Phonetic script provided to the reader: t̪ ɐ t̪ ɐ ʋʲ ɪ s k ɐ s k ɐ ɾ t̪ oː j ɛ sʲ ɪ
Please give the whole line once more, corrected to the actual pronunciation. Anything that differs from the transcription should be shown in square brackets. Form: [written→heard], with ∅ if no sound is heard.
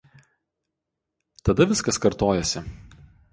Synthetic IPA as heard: t̪ ɐ [t̪→d̪] ɐ ʋʲ ɪ s k ɐ s k ɐ ɾ t̪ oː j ɛ sʲ ɪ